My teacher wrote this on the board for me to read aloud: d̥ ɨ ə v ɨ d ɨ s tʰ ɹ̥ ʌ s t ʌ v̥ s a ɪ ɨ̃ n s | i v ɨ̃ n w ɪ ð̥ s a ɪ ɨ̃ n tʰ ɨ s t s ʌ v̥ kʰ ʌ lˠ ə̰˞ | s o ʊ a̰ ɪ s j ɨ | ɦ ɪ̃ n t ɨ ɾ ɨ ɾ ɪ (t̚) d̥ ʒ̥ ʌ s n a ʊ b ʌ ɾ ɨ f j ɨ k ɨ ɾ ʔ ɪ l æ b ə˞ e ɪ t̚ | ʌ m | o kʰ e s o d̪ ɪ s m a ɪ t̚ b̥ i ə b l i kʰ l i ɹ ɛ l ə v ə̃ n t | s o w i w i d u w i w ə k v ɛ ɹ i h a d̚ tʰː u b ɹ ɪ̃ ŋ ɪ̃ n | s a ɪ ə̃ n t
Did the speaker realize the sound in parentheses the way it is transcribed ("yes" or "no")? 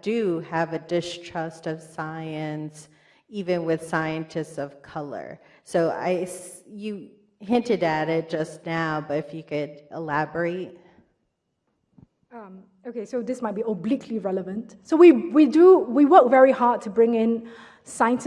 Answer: yes